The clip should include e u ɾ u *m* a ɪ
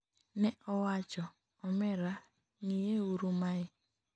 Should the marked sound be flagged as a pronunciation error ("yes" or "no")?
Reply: no